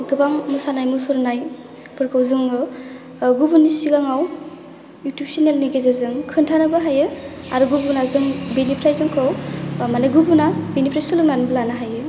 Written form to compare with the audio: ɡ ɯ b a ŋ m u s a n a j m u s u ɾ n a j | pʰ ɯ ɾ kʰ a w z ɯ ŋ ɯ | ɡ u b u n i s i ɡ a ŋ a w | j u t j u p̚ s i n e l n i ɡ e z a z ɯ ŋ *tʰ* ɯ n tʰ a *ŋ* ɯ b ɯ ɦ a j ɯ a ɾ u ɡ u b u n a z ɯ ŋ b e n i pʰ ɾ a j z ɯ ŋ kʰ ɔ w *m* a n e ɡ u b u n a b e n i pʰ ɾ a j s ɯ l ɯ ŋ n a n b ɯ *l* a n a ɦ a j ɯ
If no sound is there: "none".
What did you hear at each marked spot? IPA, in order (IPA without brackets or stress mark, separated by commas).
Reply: kʰ, n, m, l